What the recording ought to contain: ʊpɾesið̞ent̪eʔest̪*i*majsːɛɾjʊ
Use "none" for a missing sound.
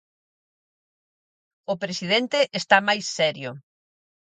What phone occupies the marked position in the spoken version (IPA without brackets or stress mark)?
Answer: a